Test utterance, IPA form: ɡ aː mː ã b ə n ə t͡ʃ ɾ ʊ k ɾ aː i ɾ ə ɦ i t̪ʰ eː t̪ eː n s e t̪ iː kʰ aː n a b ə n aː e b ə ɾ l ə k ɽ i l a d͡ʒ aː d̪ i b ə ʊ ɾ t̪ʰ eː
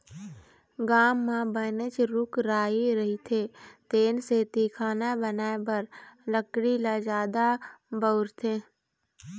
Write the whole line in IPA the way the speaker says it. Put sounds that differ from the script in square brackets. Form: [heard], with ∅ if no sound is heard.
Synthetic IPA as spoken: ɡ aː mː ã b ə n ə t͡ʃ ɾ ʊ k ɾ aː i ɾ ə ɦ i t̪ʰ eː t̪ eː n s e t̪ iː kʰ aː n a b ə n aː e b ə ɾ l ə k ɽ i l a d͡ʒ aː d̪ [a] b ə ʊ ɾ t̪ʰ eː